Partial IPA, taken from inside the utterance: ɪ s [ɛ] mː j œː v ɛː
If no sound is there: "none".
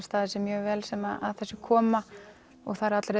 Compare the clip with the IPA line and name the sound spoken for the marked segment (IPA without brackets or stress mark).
ɛ